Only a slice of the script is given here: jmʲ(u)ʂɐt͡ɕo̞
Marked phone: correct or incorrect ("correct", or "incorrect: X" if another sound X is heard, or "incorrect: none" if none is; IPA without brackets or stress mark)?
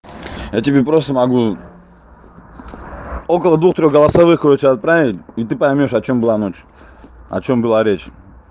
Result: incorrect: o